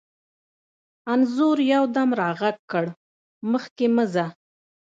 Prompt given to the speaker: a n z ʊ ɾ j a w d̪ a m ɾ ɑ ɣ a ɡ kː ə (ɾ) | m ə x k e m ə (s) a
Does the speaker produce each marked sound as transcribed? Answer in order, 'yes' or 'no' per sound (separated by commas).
no, no